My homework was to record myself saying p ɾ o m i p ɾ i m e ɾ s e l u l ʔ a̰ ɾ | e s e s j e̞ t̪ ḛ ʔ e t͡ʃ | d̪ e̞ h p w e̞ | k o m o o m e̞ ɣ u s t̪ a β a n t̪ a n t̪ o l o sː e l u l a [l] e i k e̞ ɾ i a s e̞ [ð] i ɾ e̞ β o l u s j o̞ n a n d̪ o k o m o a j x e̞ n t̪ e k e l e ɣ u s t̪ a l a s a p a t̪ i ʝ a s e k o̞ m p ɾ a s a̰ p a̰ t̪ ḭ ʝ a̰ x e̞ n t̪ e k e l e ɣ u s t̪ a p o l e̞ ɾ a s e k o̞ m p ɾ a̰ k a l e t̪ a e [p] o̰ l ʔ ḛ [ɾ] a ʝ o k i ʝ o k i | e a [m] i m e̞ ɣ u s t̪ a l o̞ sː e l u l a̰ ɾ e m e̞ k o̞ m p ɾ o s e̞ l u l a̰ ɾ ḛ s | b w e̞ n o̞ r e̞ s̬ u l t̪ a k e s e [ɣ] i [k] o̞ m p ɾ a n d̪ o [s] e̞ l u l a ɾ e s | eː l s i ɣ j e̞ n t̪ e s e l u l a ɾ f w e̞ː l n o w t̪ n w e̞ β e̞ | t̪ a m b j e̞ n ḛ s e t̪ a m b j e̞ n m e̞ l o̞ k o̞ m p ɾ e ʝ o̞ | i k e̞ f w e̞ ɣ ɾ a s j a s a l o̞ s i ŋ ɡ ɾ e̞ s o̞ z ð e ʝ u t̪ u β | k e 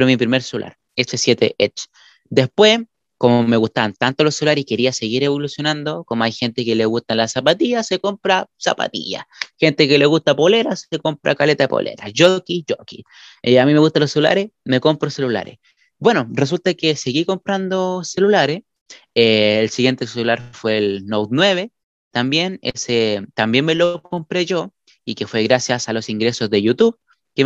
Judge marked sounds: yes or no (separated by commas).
no, no, yes, yes, yes, yes, yes, yes